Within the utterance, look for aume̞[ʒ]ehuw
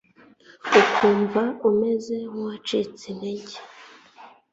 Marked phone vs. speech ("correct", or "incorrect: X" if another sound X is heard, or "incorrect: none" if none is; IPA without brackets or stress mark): incorrect: z